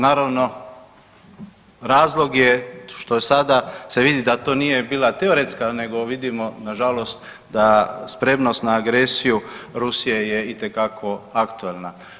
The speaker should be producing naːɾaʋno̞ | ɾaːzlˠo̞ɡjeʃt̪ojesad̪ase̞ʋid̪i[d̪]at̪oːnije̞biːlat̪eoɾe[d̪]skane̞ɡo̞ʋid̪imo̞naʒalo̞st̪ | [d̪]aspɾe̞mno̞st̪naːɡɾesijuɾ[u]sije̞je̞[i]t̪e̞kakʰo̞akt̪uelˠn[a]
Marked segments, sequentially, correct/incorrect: correct, incorrect: t̪, correct, correct, correct, correct

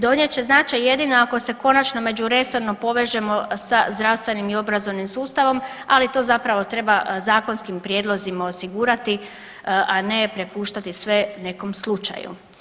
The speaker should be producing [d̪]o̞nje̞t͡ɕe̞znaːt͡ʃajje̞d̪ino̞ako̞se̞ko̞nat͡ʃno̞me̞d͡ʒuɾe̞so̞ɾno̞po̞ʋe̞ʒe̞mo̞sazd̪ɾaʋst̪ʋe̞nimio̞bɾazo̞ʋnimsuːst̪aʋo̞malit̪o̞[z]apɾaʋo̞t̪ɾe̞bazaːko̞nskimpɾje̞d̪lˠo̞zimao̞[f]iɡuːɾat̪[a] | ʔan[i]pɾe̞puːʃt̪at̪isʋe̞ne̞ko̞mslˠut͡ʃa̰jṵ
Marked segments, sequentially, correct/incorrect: correct, correct, incorrect: s, incorrect: i, incorrect: e

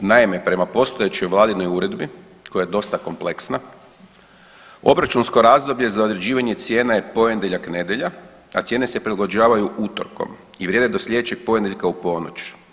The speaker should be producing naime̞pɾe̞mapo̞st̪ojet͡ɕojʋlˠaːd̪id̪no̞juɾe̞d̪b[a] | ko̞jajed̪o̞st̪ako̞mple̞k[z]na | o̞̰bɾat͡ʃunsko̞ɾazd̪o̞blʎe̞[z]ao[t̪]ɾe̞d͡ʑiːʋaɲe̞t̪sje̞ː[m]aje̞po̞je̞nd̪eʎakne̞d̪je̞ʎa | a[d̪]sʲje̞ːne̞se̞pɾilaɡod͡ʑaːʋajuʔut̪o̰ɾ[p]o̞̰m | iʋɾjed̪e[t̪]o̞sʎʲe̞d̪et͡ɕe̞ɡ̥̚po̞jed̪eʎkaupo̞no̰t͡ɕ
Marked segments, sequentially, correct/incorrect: incorrect: i, incorrect: s, correct, incorrect: d̪, incorrect: n, incorrect: t̪, incorrect: k, incorrect: d̪

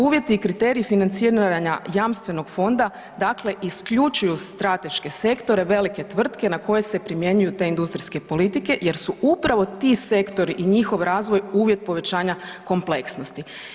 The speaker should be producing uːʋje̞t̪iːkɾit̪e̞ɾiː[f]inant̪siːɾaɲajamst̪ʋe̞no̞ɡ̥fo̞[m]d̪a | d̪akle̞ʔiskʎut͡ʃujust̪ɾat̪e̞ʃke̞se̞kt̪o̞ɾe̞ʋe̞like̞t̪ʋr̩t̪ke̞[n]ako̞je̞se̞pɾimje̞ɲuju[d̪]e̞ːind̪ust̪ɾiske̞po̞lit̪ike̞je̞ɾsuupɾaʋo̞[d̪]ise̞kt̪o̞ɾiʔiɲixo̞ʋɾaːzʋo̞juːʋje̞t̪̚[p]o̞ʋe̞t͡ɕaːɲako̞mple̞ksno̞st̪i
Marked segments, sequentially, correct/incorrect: correct, incorrect: n, correct, incorrect: t̪, incorrect: t̪, correct

